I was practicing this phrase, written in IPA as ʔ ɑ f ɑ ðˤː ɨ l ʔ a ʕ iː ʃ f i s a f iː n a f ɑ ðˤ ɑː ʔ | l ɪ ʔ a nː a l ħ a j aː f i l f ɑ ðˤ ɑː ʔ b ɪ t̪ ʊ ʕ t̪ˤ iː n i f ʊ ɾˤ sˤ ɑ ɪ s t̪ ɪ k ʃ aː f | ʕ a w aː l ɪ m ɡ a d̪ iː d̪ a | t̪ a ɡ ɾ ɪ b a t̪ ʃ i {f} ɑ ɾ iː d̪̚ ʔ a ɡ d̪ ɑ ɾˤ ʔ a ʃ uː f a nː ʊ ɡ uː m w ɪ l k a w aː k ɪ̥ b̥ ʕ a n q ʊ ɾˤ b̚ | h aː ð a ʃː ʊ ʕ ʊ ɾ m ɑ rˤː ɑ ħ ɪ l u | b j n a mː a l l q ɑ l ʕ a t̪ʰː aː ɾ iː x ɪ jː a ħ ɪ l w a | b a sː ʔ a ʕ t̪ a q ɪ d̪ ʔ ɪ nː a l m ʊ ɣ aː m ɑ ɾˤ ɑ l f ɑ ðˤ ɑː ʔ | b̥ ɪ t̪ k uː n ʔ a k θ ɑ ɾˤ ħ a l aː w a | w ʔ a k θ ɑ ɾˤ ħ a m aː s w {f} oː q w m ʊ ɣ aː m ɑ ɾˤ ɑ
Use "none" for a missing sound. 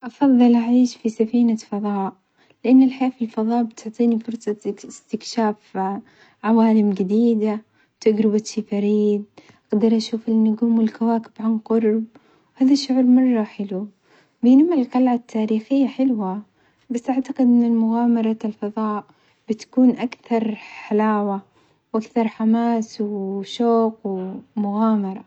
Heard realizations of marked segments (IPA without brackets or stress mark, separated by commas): f, ʃ